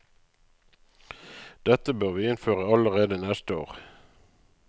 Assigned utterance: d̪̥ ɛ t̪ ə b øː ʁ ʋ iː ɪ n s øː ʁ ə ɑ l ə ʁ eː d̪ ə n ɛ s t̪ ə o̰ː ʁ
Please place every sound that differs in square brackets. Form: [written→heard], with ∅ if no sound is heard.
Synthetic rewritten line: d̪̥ ɛ t̪ ə b øː ʁ ʋ iː ɪ n [s→f] øː ʁ ə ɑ l ə ʁ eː d̪ ə n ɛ s t̪ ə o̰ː ʁ

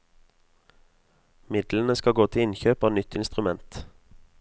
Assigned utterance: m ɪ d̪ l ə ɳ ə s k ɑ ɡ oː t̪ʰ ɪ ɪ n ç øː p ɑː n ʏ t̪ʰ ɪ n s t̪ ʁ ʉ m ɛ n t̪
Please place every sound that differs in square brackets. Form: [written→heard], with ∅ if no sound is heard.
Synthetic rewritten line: m ɪ d̪ l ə [ɳ→n] ə s k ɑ ɡ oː t̪ʰ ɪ ɪ n ç øː p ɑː n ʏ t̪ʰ ɪ n s t̪ ʁ ʉ m ɛ n t̪

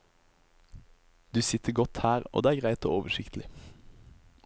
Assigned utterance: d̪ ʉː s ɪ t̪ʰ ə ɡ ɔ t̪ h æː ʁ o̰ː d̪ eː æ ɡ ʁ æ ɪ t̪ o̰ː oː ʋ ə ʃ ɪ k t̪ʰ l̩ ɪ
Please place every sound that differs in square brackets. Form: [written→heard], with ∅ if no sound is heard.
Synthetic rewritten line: d̪ ʉː s ɪ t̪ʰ ə ɡ ɔ t̪ h æː ʁ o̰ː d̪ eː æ ɡ ʁ æ ɪ t̪ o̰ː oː ʋ ə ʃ ɪ k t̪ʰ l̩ ɪ

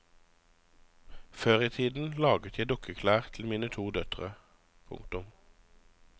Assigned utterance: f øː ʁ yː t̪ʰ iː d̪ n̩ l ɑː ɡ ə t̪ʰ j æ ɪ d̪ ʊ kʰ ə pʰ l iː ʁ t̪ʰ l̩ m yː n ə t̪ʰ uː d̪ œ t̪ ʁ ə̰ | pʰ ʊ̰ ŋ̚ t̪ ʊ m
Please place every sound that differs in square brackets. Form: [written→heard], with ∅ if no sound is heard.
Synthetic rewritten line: f øː ʁ [yː→iː] t̪ʰ iː d̪ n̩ l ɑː ɡ ə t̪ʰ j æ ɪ d̪ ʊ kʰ ə [pʰ→kʰ] l [iː→æː] ʁ t̪ʰ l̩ m [yː→iː] n ə t̪ʰ uː d̪ œ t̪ ʁ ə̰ | pʰ ʊ̰ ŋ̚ t̪ ʊ m

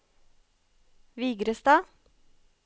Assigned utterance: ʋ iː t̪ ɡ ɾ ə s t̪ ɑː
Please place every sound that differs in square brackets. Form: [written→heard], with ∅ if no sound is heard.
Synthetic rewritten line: ʋ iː [t̪→∅] ɡ ɾ ə s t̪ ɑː

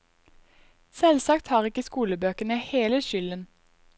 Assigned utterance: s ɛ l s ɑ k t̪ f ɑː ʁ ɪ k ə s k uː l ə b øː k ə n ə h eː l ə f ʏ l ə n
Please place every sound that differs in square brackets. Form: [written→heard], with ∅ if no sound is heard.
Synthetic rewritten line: s ɛ l s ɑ k t̪ [f→h] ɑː ʁ ɪ k ə s k uː l ə b øː k ə n ə h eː l ə [f→ʃ] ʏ l ə n

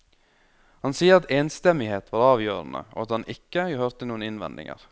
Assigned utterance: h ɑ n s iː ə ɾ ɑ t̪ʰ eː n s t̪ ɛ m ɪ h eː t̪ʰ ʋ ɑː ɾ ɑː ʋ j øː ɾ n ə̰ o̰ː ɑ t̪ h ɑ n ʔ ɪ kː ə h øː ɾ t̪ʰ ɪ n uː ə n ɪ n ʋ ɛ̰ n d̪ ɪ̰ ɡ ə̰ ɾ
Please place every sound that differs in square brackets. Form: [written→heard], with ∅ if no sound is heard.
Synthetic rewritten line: h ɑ n s iː ə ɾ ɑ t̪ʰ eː n s t̪ ɛ m ɪ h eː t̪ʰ ʋ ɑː ɾ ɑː ʋ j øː ɾ n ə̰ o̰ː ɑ t̪ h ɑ n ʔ ɪ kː ə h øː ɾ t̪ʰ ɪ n uː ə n ɪ n ʋ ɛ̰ n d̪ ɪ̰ [ɡ→ŋ] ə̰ ɾ

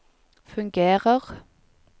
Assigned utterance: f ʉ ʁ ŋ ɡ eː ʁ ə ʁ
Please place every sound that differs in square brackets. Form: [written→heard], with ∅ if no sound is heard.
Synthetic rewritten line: f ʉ [ʁ→∅] ŋ ɡ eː ʁ ə ʁ

